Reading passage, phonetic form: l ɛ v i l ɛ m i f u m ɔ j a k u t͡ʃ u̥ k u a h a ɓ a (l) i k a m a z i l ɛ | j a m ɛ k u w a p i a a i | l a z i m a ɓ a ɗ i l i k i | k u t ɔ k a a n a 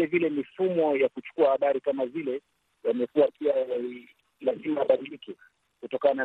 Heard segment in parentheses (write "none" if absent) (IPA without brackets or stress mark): ɾ